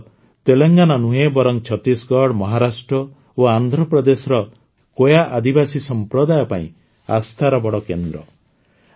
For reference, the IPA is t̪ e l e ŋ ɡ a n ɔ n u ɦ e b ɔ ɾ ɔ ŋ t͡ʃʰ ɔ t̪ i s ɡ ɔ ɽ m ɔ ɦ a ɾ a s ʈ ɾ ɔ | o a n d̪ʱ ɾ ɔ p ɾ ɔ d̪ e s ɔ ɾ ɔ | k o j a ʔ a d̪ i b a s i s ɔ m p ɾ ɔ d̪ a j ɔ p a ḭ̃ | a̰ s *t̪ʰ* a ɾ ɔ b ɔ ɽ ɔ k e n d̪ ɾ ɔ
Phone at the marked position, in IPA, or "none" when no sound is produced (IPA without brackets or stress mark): t̪ʰ